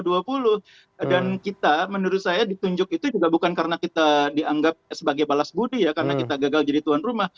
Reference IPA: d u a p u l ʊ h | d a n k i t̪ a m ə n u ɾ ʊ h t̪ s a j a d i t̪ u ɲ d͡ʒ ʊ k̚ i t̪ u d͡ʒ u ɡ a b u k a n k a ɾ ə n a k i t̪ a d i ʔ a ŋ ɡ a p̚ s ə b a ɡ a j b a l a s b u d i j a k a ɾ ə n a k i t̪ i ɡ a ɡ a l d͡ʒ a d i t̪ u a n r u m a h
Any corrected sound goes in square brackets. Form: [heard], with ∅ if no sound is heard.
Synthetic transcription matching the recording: d u a p u l ʊ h | d a n k i t̪ a m ə n u ɾ ʊ [∅] t̪ s a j a d i t̪ u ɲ d͡ʒ ʊ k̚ i t̪ u d͡ʒ u ɡ a b u k a n k a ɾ ə n a k i t̪ a d i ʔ a ŋ ɡ a p̚ s ə b a ɡ a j b a l a s b u d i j a k a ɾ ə n a k i t̪ [a] ɡ a ɡ a l d͡ʒ a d i t̪ u a n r u m a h